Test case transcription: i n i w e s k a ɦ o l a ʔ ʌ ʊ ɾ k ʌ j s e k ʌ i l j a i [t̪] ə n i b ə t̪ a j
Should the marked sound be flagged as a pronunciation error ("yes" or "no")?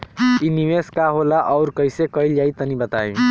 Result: no